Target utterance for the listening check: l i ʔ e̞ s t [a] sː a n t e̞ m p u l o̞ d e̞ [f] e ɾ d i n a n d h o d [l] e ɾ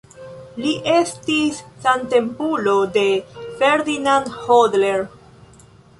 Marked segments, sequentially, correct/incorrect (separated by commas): incorrect, correct, correct